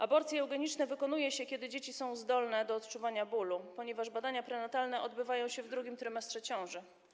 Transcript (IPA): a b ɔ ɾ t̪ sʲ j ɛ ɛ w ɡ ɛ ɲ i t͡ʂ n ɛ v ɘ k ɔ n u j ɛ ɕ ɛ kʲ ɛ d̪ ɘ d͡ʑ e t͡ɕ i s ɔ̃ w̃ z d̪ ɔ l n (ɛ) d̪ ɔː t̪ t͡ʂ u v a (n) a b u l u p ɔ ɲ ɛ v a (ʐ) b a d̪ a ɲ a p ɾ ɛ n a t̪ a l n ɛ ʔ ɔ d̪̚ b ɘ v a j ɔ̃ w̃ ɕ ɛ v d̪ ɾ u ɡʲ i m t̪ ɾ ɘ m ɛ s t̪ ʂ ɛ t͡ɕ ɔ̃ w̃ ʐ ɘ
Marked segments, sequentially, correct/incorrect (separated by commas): correct, incorrect, correct